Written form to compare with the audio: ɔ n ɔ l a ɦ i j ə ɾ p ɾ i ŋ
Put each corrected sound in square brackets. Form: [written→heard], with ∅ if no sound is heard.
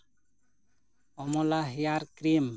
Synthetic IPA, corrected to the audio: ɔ [n→m] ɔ l a ɦ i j [ə→a] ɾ [p→k] ɾ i [ŋ→m]